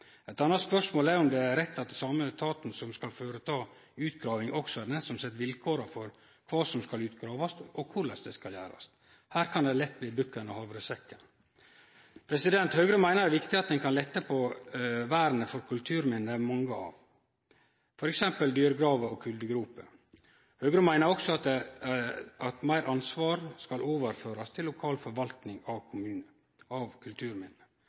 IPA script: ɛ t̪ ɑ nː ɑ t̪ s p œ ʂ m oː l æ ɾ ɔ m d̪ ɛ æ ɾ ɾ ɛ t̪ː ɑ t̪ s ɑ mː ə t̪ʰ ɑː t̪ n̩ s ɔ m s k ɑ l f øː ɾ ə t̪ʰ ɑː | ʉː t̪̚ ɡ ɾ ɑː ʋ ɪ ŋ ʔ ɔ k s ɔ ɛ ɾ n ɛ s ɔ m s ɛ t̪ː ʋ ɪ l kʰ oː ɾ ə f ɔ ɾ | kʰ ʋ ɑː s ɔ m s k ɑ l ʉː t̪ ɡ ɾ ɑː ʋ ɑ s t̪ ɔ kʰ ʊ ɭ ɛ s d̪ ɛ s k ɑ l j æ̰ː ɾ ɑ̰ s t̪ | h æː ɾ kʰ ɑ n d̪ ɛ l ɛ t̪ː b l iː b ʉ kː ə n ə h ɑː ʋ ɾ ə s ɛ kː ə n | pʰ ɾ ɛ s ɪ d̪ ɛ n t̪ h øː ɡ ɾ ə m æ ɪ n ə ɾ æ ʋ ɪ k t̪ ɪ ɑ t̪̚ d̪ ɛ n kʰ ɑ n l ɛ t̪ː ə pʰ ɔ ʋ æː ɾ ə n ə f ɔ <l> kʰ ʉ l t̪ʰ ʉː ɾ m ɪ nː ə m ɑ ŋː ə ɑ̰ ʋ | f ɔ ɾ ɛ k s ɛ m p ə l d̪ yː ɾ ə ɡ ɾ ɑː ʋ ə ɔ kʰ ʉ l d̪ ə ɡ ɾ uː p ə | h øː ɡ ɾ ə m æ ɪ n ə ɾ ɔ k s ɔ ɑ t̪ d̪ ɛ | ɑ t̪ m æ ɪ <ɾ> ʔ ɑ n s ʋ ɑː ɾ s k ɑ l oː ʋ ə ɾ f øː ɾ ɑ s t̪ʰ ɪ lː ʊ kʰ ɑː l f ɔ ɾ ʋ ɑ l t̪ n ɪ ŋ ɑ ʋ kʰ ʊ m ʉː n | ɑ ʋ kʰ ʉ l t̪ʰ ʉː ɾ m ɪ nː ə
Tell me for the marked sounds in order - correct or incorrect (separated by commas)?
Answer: incorrect, correct